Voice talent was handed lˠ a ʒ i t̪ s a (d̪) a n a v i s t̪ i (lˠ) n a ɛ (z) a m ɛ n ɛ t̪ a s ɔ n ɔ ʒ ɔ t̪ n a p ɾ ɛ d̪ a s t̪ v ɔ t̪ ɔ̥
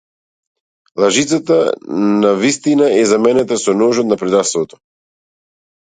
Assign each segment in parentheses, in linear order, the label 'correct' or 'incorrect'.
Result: incorrect: t̪, incorrect: none, correct

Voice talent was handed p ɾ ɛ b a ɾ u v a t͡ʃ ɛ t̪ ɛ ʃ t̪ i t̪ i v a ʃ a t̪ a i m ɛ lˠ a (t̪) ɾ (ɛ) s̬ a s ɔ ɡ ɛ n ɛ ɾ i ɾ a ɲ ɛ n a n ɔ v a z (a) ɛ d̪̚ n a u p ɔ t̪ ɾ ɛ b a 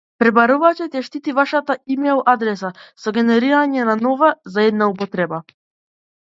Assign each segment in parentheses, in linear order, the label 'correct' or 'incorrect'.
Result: incorrect: d̪, correct, correct

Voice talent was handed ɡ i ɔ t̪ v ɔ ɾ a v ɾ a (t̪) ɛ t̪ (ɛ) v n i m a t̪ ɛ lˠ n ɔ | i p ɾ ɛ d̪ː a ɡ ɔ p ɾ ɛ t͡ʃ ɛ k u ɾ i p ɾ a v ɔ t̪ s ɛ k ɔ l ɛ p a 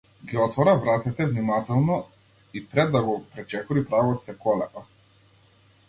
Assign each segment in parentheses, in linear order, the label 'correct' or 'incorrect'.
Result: correct, correct

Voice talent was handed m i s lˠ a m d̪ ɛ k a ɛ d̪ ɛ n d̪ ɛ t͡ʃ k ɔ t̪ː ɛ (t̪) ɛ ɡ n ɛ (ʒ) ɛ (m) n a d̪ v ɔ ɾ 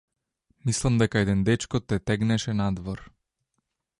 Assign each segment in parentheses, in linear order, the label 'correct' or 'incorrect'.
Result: correct, incorrect: ʃ, incorrect: none

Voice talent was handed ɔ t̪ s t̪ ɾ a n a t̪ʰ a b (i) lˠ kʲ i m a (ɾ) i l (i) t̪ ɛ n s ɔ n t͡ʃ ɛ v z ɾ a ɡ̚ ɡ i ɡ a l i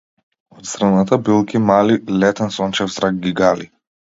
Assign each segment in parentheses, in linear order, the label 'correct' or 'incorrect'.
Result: correct, incorrect: l, incorrect: ɛ

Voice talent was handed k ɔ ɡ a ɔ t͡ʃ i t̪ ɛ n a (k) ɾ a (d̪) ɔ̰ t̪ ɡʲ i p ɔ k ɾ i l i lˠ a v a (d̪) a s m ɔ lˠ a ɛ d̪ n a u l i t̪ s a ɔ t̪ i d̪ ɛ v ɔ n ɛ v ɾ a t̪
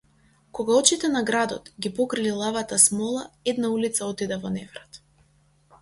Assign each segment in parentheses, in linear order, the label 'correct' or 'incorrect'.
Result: incorrect: ɡ, correct, incorrect: t̪

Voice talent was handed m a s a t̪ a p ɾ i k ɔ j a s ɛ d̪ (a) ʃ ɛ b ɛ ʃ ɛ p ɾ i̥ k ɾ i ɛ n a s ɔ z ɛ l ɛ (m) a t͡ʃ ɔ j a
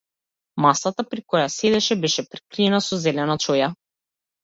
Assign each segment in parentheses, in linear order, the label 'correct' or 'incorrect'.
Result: incorrect: ɛ, incorrect: n

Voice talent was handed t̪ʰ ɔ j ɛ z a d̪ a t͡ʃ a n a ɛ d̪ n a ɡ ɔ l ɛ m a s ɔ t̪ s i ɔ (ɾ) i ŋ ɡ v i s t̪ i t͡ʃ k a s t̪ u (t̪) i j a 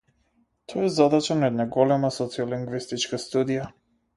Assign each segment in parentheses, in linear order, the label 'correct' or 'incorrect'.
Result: incorrect: l, incorrect: d̪

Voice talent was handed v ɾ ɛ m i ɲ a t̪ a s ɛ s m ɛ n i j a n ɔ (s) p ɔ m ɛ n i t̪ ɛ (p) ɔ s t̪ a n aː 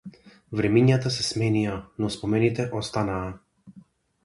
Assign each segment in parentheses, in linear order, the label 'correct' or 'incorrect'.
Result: correct, incorrect: ʔ

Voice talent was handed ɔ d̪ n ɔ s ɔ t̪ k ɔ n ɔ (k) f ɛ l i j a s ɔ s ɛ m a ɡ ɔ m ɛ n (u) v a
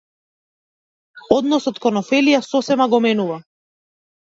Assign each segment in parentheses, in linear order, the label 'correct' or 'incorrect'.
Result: incorrect: none, correct

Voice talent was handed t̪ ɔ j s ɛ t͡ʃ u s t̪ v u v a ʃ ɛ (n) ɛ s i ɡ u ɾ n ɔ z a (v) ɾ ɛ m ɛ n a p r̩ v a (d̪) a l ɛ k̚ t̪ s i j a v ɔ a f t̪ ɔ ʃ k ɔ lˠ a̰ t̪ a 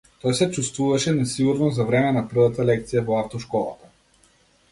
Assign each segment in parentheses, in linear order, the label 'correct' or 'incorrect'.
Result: correct, correct, incorrect: t̪

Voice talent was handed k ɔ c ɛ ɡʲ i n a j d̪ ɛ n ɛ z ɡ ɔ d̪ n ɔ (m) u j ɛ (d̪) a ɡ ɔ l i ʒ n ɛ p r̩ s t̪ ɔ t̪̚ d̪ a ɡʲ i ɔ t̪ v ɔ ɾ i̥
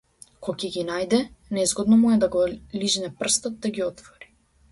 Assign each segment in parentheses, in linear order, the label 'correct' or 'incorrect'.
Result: correct, correct

